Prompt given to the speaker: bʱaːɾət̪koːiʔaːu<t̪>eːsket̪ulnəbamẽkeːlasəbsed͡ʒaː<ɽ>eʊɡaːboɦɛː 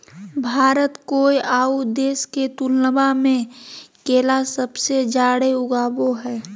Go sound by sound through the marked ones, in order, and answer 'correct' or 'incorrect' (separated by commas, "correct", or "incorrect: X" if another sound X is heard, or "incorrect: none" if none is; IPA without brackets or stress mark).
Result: incorrect: d̪, correct